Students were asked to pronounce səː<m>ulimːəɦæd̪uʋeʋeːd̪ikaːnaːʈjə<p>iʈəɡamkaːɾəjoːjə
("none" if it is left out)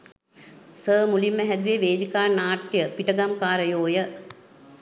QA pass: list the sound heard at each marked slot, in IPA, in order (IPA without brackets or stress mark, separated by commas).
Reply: m, p